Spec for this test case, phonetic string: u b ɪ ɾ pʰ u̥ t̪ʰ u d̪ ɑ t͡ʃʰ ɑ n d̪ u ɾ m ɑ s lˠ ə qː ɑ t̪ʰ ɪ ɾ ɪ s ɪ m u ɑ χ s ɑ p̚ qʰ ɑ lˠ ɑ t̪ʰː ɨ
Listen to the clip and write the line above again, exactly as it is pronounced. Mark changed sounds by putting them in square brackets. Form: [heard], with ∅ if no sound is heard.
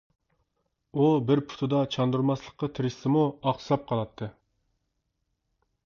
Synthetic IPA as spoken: u b ɪ ɾ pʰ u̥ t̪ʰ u d̪ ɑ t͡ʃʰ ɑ n d̪ u ɾ m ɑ s lˠ ə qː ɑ t̪ʰ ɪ ɾ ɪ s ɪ m u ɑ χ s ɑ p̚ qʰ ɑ lˠ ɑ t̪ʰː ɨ